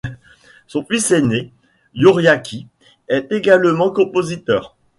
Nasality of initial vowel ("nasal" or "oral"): nasal